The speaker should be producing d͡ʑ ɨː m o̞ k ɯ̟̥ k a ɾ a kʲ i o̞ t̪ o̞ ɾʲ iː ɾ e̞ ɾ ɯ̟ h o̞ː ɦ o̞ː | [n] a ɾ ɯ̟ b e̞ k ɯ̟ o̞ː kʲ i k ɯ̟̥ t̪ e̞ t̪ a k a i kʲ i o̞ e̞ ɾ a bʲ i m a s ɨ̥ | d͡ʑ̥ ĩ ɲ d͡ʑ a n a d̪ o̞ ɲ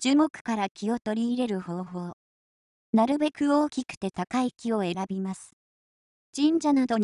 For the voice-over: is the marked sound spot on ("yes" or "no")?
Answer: yes